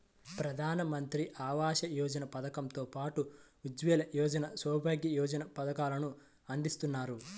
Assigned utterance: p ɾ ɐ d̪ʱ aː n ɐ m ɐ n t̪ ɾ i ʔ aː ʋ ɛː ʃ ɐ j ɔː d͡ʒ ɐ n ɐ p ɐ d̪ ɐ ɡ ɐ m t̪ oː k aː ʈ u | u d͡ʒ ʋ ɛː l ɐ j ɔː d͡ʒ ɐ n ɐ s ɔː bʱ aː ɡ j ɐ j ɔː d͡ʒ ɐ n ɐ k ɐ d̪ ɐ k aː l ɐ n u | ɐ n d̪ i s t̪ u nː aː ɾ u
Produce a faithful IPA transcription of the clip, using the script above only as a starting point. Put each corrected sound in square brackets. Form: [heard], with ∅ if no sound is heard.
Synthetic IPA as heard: p ɾ ɐ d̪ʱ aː n ɐ m ɐ n t̪ ɾ i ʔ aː ʋ [aː] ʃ ɐ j ɔː d͡ʒ ɐ n ɐ p ɐ d̪ ɐ [k] ɐ m t̪ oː [p] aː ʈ u | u d͡ʒ ʋ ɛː l ɐ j ɔː d͡ʒ ɐ n ɐ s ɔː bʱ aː ɡ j ɐ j ɔː d͡ʒ ɐ n ɐ [p] ɐ d̪ ɐ k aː l ɐ n u | ɐ n d̪ i s t̪ u nː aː ɾ u